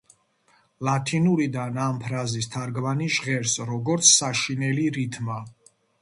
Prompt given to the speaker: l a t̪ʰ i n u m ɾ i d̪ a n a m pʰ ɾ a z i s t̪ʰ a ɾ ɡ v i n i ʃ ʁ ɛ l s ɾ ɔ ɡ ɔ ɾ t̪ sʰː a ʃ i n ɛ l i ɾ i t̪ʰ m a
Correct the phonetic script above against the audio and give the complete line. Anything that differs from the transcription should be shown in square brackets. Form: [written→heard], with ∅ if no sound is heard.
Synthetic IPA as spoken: l a t̪ʰ i n u [m→∅] ɾ i d̪ a n a m pʰ ɾ a z i s t̪ʰ a ɾ ɡ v [i→a] n i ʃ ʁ ɛ [l→ɾ] s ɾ ɔ ɡ ɔ ɾ t̪ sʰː a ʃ i n ɛ l i ɾ i t̪ʰ m a